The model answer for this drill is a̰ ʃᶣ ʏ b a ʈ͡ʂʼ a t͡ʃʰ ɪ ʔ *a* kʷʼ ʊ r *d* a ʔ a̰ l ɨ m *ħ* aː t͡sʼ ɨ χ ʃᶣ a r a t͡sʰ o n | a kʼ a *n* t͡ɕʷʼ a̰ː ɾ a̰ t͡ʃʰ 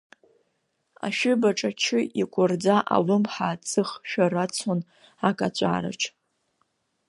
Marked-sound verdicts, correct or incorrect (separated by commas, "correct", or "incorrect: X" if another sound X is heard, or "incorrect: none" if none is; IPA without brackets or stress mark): incorrect: i, incorrect: d͡z, correct, incorrect: none